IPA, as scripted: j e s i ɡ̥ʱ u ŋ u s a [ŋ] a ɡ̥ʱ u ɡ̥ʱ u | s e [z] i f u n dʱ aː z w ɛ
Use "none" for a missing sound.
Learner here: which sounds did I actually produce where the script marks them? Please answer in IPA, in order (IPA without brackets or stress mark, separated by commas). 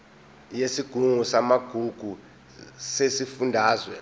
m, s